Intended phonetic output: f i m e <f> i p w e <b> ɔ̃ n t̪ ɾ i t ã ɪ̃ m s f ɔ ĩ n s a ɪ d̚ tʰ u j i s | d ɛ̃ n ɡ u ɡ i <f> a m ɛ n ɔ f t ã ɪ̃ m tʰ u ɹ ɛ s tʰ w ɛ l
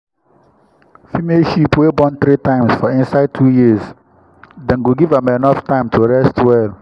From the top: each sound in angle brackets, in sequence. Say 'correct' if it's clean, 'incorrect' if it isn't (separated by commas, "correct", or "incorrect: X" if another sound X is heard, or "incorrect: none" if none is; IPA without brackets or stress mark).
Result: incorrect: ʃ, correct, incorrect: v